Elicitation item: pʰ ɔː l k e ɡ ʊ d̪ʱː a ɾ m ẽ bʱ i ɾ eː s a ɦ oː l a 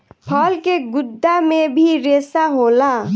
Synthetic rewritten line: pʰ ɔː l k e ɡ ʊ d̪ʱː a m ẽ bʱ i ɾ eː s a ɦ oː l a